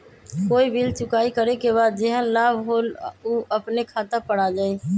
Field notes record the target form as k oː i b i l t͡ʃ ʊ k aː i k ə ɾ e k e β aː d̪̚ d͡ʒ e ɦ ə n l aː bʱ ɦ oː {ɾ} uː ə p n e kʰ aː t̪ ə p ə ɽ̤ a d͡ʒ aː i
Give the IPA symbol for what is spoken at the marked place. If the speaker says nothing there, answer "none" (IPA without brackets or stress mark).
l